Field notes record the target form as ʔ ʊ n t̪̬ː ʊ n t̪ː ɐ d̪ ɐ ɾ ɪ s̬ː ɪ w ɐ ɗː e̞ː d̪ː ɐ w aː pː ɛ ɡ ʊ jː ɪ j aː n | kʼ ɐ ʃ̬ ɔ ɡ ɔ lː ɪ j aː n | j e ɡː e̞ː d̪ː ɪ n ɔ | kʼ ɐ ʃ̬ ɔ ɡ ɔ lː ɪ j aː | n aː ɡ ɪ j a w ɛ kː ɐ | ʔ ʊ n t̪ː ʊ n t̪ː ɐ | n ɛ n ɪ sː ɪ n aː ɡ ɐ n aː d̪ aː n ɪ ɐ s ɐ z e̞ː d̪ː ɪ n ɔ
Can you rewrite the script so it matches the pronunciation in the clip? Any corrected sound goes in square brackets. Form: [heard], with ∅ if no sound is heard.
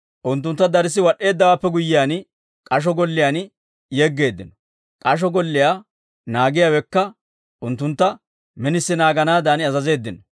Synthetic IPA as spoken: ʔ ʊ n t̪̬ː ʊ n t̪ː ɐ d̪ ɐ ɾ ɪ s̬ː ɪ w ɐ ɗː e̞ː d̪ː ɐ w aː pː ɛ ɡ ʊ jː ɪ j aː n | kʼ ɐ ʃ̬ ɔ ɡ ɔ lː ɪ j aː n | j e ɡː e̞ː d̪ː ɪ n ɔ | kʼ ɐ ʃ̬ ɔ ɡ ɔ lː ɪ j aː | n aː ɡ ɪ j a w ɛ kː ɐ | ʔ ʊ n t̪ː ʊ n t̪ː ɐ | [m] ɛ n ɪ sː ɪ n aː ɡ ɐ n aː d̪ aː n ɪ ɐ [z] ɐ z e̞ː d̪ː ɪ n ɔ